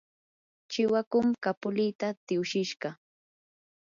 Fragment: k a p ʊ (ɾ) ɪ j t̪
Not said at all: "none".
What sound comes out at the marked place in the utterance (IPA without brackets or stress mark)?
l